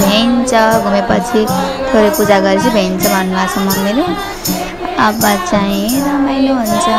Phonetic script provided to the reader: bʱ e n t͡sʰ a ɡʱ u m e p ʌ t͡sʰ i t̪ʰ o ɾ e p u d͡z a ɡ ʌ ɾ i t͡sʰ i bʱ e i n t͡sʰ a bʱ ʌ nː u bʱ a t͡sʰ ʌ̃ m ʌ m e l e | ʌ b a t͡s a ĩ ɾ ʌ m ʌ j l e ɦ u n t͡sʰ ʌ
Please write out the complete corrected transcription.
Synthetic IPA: bʱ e n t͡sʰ ʌ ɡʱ u m e p ʌ t͡sʰ i t̪ʰ o ɾ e p u d͡z a ɡ ʌ ɾ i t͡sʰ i bʱ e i n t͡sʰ ʌ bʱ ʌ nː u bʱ a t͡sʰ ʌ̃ m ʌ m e l e | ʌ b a t͡s a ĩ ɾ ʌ m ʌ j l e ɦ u n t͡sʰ ʌ